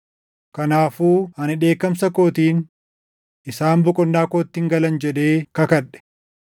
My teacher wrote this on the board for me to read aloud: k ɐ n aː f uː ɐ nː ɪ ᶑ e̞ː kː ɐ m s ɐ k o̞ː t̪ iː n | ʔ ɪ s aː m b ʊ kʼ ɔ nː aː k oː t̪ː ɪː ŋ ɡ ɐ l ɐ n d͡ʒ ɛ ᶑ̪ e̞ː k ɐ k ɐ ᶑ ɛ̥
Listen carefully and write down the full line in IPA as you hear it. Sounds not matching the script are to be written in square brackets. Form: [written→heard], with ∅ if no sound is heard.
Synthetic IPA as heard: k ɐ n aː f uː ɐ [nː→n] ɪ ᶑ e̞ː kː ɐ m s ɐ k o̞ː t̪ iː n | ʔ ɪ s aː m b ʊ kʼ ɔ nː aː k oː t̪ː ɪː ŋ ɡ ɐ l ɐ n d͡ʒ ɛ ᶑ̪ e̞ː k ɐ k ɐ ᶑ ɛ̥